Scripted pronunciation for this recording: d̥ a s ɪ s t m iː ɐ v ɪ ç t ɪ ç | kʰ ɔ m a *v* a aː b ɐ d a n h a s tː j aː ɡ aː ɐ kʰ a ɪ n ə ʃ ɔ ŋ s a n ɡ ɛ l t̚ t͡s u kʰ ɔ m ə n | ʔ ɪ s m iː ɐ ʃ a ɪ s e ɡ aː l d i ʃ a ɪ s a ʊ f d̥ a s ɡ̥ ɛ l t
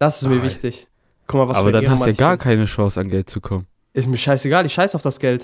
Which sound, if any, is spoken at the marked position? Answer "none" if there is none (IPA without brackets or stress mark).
v